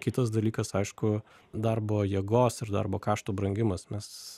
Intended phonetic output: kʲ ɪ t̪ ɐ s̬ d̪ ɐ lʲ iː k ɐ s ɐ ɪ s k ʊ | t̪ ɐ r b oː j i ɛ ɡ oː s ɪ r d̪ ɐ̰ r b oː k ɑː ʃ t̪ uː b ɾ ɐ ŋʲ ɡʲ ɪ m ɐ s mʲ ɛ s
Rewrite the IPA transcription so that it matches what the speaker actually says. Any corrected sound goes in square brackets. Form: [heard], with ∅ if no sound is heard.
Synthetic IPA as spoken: kʲ ɪ t̪ ɐ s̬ d̪ ɐ lʲ iː k ɐ s ɐ ɪ [ʃ] k ʊ | [d̪] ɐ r b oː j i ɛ ɡ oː s ɪ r d̪ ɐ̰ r b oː k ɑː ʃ t̪ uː b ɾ ɐ ŋʲ ɡʲ ɪ m ɐ s mʲ ɛ s